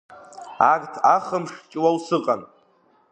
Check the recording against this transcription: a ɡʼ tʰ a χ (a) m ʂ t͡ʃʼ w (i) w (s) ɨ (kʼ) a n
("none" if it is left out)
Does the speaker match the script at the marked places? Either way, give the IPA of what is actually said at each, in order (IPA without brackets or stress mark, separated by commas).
ə, a, s, qʼ